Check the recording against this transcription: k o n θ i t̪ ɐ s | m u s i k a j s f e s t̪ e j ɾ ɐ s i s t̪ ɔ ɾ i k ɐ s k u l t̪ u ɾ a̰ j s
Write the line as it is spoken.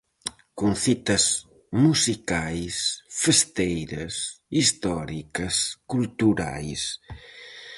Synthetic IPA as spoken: k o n θ i t̪ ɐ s | m u s i k a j s f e s t̪ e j ɾ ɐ s i s t̪ ɔ ɾ i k ɐ s k u l t̪ u ɾ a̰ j s